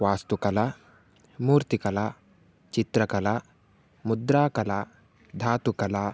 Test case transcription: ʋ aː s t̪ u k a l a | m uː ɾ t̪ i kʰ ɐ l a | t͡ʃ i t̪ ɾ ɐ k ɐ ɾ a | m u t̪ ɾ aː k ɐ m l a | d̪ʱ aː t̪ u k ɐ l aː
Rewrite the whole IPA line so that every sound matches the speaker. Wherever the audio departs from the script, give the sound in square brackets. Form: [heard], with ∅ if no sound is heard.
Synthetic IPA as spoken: ʋ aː s t̪ u k [ɐ] l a | m uː ɾ t̪ i [k] ɐ l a | t͡ʃ i t̪ ɾ ɐ k ɐ [l] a | m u [d̪] ɾ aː k ɐ [∅] l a | d̪ʱ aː t̪ u k ɐ l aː